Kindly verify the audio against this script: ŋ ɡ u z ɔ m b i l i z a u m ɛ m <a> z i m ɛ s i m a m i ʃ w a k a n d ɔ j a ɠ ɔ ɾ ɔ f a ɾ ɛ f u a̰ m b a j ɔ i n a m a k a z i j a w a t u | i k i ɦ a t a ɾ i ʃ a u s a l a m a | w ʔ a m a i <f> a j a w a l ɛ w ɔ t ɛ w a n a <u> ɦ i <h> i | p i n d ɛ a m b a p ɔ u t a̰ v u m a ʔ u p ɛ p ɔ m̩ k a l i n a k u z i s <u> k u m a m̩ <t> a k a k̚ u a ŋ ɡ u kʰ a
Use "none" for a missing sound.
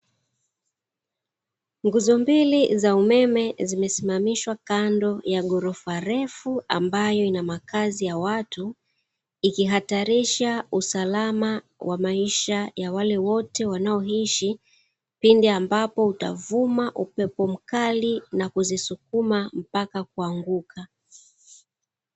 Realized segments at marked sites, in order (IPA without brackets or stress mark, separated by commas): ɛ, ʃ, ɔ, ʃ, u, p